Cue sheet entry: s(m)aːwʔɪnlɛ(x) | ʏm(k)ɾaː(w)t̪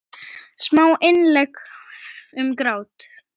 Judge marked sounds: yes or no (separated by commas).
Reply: yes, no, yes, yes